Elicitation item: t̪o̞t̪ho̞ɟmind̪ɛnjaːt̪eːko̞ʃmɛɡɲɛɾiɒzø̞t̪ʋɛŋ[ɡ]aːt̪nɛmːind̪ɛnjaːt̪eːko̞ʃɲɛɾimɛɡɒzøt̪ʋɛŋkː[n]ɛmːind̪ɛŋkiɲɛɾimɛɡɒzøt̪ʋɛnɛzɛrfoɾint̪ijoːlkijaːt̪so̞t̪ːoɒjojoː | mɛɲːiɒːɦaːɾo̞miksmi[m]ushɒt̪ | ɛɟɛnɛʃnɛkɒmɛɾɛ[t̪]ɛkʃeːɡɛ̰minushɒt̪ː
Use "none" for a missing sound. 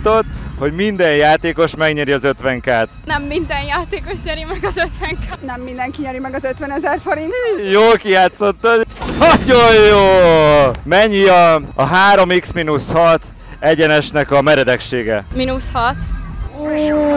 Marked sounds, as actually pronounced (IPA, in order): k, n, n, d̪

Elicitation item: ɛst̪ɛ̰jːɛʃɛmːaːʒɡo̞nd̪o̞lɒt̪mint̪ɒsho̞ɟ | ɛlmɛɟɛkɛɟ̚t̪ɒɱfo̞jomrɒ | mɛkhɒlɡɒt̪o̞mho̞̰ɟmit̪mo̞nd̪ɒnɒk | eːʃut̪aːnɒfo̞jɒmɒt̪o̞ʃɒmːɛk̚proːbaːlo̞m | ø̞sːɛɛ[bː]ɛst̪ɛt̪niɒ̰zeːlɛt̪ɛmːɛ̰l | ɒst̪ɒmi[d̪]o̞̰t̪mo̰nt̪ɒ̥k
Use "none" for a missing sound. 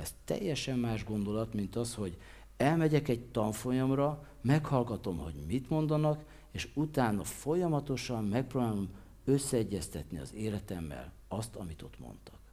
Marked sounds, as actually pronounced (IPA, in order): ɟː, t̪

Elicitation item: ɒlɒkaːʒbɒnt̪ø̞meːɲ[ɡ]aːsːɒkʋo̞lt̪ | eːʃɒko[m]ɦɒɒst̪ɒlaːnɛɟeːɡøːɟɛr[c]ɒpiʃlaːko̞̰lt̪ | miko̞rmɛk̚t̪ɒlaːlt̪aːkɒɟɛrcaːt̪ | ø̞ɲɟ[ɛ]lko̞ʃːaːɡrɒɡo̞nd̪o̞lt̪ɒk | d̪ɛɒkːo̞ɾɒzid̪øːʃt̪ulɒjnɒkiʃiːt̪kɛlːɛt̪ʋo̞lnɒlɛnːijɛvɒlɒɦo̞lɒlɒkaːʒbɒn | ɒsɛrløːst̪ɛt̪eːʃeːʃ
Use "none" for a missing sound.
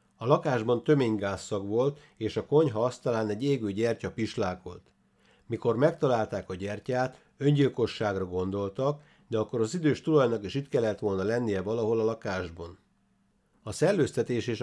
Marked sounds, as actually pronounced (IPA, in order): ɡ, ɲ, c, i

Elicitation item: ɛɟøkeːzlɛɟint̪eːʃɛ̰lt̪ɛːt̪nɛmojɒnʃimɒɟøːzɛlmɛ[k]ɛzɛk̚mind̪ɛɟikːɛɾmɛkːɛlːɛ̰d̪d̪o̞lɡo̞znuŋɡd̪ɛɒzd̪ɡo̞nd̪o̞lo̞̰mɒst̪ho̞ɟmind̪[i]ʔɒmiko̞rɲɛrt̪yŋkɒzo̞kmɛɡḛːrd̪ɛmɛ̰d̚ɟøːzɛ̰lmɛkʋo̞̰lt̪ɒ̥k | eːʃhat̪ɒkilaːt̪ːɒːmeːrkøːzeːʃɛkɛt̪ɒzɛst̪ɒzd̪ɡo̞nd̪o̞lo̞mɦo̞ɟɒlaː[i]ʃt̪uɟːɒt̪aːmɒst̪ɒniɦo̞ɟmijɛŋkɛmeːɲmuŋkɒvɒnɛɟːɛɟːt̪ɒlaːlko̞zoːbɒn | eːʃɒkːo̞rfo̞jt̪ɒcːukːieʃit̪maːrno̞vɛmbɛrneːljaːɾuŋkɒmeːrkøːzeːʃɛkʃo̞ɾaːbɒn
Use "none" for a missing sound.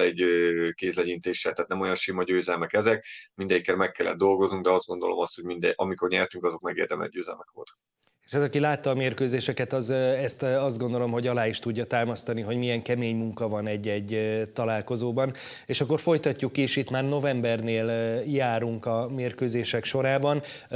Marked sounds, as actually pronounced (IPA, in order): k, ɛ, i

